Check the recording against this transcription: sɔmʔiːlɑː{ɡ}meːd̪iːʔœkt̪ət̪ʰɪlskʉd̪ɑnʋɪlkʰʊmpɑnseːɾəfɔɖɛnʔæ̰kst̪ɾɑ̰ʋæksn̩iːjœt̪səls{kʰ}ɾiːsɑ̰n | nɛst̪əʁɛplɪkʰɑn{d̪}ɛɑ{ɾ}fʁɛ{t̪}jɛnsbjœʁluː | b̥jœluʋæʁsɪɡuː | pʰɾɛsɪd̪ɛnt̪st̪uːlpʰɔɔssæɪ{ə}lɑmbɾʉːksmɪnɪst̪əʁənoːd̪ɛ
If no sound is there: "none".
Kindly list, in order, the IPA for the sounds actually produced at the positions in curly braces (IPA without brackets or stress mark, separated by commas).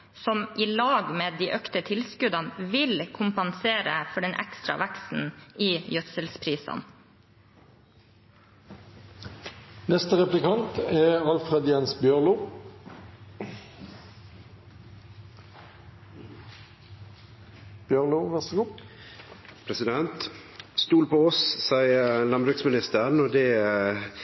ɡ, pʰ, t̪, l, d̪, ə